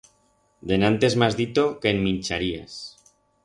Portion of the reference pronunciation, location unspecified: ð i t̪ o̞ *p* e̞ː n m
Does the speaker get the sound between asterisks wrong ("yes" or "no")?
yes